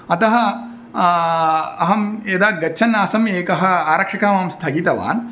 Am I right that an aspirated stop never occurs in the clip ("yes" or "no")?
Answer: no